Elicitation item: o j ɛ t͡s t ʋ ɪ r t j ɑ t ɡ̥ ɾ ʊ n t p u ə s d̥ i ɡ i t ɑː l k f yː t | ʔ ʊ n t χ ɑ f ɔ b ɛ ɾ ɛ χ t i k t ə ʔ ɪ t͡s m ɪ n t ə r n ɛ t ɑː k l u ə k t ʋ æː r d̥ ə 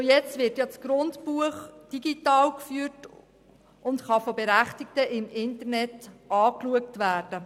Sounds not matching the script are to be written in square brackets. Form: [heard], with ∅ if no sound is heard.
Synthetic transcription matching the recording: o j ɛ t͡s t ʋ ɪ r t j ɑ [t͡s] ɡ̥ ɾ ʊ n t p u ə [χ] d̥ i ɡ i t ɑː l k f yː t | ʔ ʊ n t χ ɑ f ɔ b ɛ ɾ [æ] χ t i k t ə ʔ ɪ [∅] m ɪ n t ə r n ɛ t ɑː k l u ə k t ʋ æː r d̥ ə